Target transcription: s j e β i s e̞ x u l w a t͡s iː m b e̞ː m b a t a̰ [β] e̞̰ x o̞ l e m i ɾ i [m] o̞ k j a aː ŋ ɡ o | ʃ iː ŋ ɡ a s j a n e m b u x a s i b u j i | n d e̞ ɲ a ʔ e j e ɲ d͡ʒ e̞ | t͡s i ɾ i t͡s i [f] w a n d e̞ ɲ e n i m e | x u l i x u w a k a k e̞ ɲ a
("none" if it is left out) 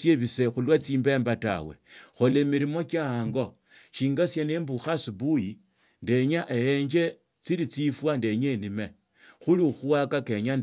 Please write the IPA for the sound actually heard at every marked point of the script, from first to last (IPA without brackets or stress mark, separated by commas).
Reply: w, m, f